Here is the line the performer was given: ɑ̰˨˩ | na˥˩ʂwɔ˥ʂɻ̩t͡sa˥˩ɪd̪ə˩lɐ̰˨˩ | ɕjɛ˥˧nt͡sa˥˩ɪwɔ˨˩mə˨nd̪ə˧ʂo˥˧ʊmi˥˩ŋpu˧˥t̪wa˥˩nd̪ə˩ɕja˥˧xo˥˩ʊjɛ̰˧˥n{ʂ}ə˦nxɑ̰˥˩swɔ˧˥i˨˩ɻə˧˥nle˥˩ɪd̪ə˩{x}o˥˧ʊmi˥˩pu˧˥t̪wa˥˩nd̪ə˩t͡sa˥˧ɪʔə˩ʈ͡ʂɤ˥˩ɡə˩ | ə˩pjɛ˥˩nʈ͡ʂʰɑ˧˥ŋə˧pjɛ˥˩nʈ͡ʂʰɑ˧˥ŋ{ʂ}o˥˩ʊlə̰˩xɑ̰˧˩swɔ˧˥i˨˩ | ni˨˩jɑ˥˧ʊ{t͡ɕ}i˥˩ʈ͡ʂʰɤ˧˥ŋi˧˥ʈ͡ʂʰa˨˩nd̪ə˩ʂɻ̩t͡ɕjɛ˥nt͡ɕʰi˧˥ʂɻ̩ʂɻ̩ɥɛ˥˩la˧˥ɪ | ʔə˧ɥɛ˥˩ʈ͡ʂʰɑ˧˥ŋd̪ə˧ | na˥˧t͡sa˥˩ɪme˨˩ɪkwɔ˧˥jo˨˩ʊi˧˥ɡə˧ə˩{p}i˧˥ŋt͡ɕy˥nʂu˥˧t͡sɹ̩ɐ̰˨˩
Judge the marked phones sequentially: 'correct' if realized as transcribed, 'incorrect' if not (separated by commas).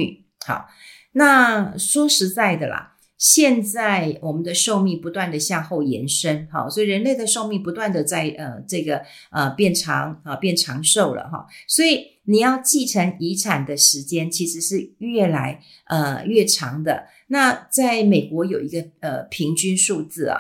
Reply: correct, incorrect, correct, correct, incorrect